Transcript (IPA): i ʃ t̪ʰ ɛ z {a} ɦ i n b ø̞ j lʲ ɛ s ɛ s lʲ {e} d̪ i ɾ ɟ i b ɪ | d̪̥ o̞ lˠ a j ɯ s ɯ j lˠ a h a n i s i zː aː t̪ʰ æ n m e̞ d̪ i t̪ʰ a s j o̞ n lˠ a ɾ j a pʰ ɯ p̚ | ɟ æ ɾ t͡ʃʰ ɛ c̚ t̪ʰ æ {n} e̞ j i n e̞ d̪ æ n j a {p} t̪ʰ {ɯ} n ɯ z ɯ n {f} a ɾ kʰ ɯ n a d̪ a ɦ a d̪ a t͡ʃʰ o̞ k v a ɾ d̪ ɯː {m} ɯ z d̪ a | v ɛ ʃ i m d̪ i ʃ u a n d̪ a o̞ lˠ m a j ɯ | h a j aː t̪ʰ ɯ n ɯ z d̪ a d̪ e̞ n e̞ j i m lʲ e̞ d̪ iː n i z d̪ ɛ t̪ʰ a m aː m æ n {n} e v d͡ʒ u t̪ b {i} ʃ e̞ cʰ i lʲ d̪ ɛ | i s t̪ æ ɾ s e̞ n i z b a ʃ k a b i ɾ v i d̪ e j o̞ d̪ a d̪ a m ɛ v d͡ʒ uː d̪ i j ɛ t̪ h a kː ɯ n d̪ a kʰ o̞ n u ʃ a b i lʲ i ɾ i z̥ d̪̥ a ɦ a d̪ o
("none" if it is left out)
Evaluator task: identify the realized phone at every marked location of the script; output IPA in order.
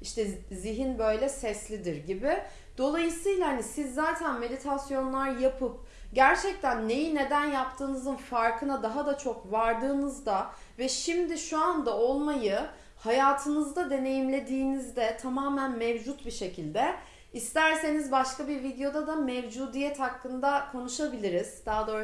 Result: i, i, nː, p, ɯː, f, n, m, i

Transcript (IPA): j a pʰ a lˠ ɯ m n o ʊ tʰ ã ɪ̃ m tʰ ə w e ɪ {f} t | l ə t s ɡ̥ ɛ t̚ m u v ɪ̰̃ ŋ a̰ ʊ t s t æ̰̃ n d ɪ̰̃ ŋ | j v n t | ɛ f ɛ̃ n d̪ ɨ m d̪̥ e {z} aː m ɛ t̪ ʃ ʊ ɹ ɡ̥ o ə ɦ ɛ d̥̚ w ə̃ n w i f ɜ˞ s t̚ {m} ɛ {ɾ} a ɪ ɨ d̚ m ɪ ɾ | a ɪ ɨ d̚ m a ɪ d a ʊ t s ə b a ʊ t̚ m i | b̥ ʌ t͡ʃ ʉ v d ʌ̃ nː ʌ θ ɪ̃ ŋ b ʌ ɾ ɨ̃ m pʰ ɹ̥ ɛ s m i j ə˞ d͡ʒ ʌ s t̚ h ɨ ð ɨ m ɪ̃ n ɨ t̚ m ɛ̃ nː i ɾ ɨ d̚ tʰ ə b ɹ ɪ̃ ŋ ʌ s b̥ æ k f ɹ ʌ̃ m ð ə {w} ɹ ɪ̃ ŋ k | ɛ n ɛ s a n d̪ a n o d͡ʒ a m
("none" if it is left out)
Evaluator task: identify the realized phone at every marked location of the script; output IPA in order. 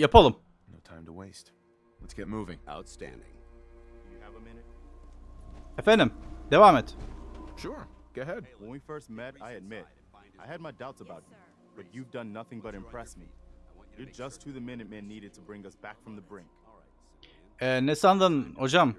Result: s, v, m, ɾ, b

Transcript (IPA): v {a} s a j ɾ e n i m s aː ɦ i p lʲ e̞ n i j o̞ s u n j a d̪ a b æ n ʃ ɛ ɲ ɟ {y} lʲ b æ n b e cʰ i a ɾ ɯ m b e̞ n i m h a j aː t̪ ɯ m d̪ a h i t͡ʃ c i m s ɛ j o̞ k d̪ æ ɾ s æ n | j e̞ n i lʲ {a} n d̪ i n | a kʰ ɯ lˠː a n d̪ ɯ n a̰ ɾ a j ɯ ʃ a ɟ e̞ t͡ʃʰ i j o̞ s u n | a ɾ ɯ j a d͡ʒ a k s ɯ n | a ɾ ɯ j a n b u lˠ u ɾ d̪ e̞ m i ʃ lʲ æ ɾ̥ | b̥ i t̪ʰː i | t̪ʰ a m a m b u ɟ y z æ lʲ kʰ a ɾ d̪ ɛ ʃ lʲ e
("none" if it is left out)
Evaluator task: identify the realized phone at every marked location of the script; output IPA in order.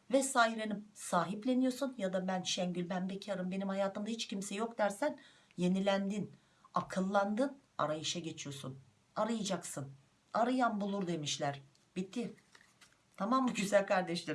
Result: ɛ, y, æ

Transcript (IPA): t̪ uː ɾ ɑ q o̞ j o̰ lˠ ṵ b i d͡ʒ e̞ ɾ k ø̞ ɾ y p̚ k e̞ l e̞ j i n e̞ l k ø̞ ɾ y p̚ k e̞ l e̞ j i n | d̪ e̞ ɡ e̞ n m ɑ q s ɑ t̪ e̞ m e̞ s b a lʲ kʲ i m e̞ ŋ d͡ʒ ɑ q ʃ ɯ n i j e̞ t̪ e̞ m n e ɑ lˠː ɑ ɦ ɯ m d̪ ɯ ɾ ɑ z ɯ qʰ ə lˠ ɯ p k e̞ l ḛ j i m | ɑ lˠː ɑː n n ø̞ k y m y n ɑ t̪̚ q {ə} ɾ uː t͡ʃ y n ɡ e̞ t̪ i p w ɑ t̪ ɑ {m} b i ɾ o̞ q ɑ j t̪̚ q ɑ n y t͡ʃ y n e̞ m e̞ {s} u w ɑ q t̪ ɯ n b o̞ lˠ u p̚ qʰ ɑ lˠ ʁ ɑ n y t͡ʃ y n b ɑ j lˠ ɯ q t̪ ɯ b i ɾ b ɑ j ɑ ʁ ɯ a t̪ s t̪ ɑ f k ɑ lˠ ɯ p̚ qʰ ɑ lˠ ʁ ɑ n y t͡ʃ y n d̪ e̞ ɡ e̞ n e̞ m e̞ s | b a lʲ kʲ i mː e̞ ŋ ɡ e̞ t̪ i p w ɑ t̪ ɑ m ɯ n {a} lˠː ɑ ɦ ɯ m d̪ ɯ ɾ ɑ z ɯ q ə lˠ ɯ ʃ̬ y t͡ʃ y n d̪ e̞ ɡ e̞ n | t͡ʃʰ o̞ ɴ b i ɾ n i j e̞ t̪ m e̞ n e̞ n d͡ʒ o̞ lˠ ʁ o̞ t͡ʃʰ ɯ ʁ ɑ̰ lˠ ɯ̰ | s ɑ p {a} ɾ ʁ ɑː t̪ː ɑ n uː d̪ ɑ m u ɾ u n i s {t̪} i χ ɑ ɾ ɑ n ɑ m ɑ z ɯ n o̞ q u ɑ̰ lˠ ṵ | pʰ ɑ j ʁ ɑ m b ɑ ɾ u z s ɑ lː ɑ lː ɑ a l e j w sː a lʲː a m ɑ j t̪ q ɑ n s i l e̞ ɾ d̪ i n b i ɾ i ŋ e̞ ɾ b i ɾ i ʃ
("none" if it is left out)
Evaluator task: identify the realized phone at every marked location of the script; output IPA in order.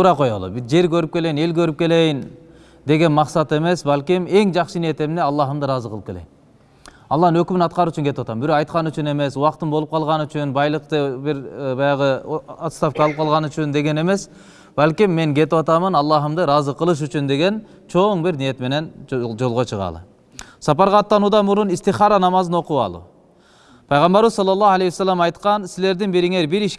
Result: ɑ, m, s, ɑ, ɑ, t̪

